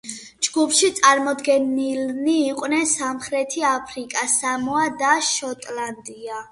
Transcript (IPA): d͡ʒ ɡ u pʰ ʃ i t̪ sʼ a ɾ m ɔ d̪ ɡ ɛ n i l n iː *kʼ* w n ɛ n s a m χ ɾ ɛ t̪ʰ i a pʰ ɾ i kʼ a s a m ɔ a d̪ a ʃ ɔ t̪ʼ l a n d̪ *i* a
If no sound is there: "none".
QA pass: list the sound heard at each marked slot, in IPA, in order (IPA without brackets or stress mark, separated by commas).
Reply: qʼ, i